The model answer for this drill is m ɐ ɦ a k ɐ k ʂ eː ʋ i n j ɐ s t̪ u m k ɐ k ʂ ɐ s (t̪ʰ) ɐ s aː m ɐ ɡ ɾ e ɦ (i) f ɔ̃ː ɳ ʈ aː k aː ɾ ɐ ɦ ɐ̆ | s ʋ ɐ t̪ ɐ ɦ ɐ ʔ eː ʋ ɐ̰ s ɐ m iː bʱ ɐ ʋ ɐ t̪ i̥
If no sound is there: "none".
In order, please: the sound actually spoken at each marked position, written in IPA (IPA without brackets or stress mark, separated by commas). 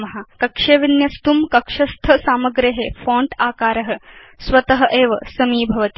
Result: t̪ʰ, e